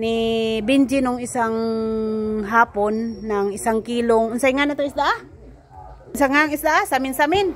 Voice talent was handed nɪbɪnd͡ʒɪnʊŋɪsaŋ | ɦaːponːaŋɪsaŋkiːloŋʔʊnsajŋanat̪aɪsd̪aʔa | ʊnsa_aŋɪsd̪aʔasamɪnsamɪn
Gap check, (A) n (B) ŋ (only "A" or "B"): B